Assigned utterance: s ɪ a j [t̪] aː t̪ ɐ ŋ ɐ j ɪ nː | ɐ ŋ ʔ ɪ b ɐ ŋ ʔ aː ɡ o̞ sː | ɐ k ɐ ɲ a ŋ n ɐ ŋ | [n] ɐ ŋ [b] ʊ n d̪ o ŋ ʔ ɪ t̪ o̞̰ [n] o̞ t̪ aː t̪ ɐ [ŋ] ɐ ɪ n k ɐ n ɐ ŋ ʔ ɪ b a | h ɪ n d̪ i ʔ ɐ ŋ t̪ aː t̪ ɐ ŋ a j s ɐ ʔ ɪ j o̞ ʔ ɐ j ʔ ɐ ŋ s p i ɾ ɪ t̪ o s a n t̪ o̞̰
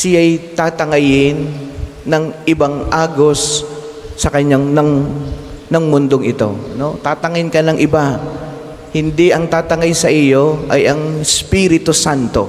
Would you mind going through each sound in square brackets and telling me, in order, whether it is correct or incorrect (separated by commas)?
correct, correct, incorrect, correct, correct